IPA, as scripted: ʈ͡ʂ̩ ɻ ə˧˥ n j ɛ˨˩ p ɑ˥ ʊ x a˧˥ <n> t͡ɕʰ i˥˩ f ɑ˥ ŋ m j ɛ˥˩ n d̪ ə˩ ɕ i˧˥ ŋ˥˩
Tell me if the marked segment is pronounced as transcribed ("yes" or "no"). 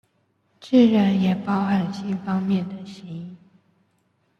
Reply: yes